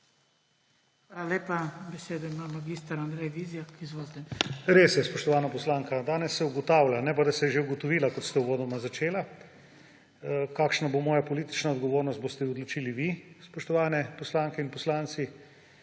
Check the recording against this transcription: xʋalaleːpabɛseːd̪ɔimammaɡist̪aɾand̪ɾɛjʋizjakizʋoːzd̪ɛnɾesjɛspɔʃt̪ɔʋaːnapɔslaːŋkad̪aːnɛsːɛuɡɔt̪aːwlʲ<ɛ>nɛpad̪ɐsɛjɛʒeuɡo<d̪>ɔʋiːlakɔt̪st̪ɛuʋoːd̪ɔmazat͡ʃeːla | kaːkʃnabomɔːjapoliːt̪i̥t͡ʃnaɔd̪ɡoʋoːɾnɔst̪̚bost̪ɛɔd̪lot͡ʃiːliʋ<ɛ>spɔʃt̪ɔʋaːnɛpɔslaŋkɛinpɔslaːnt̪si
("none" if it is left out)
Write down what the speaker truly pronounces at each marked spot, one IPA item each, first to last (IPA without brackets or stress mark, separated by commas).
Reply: a, t̪, i